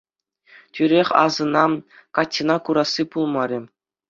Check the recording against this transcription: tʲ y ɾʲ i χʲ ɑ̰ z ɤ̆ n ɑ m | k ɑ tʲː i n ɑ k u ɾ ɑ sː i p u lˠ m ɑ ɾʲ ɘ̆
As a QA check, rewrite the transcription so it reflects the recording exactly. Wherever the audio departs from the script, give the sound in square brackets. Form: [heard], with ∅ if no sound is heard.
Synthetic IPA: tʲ y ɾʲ [e] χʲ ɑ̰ z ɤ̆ n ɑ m | k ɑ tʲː i n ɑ k u ɾ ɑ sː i p u lˠ m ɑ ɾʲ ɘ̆